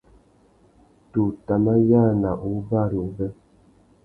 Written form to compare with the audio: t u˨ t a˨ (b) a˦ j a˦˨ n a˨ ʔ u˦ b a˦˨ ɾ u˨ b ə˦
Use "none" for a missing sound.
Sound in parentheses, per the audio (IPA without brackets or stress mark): m